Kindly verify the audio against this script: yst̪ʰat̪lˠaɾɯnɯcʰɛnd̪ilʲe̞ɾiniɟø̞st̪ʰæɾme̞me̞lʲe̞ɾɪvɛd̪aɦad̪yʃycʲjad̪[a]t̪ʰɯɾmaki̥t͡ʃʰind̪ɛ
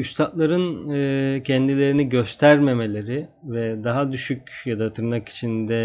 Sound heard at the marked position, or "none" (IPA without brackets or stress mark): a